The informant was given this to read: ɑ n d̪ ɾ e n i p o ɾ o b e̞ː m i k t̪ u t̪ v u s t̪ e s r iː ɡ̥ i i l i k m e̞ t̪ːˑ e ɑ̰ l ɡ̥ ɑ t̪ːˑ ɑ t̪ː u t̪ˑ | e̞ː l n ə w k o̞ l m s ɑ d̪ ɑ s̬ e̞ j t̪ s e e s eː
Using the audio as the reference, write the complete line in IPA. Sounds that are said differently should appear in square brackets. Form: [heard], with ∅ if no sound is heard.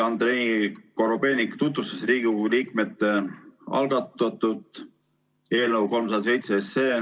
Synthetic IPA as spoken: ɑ n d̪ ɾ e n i [k] o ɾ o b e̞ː [n] i k t̪ u t̪ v u s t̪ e s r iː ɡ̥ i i l [iː] k m e̞ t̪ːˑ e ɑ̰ l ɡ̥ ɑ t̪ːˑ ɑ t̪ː u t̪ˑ | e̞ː l n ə w k o̞ l m s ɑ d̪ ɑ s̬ e̞ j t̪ s e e s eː

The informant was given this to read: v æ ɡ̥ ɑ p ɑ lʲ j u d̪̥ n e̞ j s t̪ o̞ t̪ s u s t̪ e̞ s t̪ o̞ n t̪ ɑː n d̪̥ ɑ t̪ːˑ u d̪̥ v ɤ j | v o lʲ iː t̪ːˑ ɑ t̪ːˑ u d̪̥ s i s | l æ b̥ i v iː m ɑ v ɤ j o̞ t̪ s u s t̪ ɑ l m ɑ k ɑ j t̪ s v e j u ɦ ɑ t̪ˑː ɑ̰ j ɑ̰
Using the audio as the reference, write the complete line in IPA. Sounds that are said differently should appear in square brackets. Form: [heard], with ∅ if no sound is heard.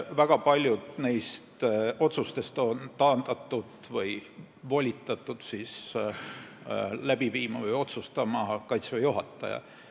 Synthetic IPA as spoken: v æ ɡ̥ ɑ p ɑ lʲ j u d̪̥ n e̞ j s t̪ o̞ t̪ s u s t̪ e̞ s t̪ o̞ n t̪ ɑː n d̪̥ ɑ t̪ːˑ u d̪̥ v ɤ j | v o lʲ [i] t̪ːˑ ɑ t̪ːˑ u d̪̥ s i s | l æ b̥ i v iː m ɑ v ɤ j o̞ t̪ s u s t̪ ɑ [∅] m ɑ k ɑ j t̪ s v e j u ɦ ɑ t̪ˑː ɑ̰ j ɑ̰

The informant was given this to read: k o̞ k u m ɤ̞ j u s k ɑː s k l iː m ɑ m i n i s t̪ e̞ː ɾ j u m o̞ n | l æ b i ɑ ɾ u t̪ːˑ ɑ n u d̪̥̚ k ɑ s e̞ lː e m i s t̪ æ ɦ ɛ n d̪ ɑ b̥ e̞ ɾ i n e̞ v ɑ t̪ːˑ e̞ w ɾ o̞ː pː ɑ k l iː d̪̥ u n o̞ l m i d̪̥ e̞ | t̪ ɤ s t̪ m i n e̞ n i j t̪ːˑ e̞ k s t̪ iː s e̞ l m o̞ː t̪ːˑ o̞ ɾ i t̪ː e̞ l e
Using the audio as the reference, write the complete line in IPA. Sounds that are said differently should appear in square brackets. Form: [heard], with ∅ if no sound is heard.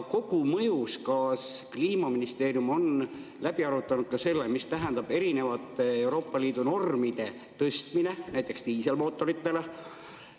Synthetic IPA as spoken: k o̞ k u m ɤ̞ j u s k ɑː s k l iː m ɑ m i n i s t̪ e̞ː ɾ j u m o̞ n | l æ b i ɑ ɾ u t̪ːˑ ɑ n u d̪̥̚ k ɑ s e̞ lː e m i s t̪ æ ɦ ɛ n d̪ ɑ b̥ e̞ ɾ i n e̞ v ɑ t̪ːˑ e̞ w ɾ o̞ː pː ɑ [∅] l iː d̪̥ u n o̞ [r] m i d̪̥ e̞ | t̪ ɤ s t̪ m i n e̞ n [æ] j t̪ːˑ e̞ k s t̪ iː s e̞ l m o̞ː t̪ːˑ o̞ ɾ i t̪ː e̞ l e

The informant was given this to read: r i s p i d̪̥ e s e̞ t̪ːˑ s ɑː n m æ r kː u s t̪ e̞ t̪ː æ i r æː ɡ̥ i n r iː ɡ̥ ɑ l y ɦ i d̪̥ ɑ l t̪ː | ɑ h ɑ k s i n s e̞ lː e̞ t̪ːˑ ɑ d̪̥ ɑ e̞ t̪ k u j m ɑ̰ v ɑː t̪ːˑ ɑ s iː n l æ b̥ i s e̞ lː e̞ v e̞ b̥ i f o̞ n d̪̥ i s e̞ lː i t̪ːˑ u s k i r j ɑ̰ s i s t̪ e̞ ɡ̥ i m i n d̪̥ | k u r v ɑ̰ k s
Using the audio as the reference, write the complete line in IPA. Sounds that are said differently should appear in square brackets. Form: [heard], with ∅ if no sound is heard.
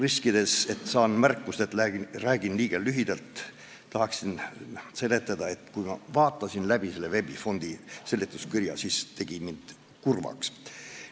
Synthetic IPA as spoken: r i s [k] i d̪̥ e s e̞ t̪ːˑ s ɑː n m æ r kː u s t̪ e̞ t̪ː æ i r æː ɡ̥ i n [l] iː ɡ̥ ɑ l y ɦ i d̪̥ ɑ l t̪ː | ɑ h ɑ k s i n s e̞ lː e̞ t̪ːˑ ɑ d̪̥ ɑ e̞ t̪ k u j m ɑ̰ v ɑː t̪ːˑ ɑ s [i] n l æ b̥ i s e̞ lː e̞ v e̞ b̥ i f o̞ n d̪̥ i s e̞ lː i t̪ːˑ u s k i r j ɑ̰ s i s t̪ e̞ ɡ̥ i m i n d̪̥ | k u r v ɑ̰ k s

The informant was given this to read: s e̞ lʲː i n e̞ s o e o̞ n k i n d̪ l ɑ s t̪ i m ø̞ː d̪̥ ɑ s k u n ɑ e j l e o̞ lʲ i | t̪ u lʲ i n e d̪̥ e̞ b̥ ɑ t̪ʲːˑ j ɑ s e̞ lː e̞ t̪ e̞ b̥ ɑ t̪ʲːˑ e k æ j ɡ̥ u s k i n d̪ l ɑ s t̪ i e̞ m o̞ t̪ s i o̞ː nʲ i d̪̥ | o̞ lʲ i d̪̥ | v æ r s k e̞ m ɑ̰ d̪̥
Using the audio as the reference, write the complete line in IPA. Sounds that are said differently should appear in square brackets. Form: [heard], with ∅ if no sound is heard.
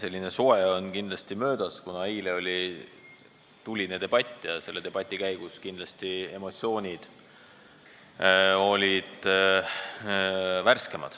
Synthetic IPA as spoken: s e̞ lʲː i n e̞ s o e o̞ n k i n d̪ l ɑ s t̪ i m ø̞ː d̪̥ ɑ s k u n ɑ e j l e o̞ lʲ i | t̪ u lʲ i n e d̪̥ e̞ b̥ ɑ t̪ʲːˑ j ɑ s e̞ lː e̞ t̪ e̞ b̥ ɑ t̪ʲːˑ [i] k æ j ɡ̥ u s k i n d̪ l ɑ s t̪ i e̞ m o̞ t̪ s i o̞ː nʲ i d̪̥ | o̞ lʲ i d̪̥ | v æ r s k e̞ m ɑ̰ d̪̥

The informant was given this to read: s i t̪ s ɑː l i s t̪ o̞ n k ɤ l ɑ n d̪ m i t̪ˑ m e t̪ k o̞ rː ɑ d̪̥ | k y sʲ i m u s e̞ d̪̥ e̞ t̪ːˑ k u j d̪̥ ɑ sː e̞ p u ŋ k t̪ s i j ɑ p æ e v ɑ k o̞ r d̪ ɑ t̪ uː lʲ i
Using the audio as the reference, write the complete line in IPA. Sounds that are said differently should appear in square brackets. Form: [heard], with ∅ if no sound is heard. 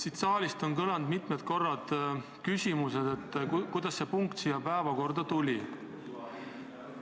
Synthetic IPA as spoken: s i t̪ s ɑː l i s t̪ o̞ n k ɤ l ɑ n d̪ m i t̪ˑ m e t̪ k o̞ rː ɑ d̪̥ | k y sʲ i m u s e̞ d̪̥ e̞ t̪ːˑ k u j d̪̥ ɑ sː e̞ p u ŋ k t̪ s i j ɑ p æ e v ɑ k o̞ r d̪ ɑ t̪ [u] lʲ i

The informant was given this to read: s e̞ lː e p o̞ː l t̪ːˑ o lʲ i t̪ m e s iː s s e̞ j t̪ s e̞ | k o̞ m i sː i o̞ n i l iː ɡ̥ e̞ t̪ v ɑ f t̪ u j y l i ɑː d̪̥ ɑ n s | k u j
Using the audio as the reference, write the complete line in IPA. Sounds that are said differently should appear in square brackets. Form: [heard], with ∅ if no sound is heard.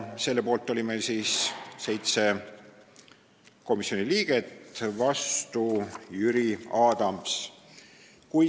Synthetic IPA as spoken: s e̞ lː e p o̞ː l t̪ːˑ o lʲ i [∅] m e s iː s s e̞ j t̪ s e̞ | k o̞ m i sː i o̞ n i l iː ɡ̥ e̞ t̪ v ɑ [s] t̪ u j y [ɾ] i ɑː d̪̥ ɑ [m] s | k u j

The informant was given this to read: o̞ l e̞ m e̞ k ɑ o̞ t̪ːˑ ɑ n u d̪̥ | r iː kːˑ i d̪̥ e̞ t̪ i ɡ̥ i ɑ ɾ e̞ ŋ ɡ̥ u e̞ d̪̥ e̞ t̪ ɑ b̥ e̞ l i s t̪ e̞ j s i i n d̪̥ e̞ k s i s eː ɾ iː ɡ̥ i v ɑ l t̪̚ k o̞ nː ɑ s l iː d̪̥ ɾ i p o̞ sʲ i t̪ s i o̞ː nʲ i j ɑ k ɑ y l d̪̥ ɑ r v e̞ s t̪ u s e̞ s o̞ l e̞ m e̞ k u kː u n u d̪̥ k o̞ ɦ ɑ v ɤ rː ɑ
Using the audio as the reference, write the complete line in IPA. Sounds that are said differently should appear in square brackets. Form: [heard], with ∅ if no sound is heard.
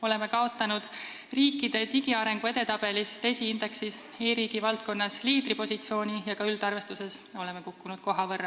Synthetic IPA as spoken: o̞ l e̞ m e̞ k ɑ o̞ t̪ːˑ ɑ n u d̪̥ | r iː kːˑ i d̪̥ e̞ t̪ i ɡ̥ i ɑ ɾ e̞ ŋ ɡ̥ u e̞ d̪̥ e̞ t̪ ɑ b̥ e̞ l i s t̪ e̞ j s i i n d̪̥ e̞ k s i s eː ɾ iː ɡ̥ i v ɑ l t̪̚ k o̞ nː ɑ s l iː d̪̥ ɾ i p o̞ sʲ i t̪ s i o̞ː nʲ i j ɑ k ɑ y l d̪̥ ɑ r v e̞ s t̪ u s e̞ s o̞ l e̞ m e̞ k u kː u n u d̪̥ k o̞ ɦ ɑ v ɤ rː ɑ

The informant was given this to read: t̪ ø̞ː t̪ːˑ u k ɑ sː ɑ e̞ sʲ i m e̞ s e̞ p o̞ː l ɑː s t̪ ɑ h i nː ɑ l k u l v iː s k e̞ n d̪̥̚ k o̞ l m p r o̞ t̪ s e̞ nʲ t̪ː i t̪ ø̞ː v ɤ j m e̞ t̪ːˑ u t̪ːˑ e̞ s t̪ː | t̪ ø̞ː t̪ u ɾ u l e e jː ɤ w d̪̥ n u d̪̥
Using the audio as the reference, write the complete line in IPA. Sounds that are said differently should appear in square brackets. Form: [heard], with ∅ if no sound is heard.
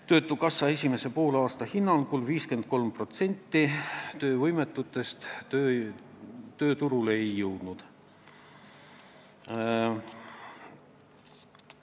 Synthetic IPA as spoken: t̪ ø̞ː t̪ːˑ u k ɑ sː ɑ e̞ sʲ i m e̞ s e̞ p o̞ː l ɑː s t̪ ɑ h i nː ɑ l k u l v iː s k e̞ n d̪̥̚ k o̞ l m p r o̞ t̪ s e̞ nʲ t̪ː i t̪ ø̞ː v ɤ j m e̞ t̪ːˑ u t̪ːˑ e̞ s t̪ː | t̪ ø̞ː t̪ u ɾ u l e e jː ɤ w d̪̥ n u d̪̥

